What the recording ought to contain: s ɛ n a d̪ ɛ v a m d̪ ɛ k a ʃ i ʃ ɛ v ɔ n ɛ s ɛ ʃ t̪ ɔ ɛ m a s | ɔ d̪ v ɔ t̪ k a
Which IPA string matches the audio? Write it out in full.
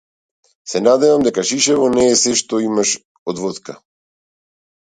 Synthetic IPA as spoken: s ɛ n a d̪ ɛ v a m d̪ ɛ k a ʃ i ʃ ɛ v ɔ n ɛː s ɛ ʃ t̪ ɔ i m a ʃ | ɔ d̪ v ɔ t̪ k a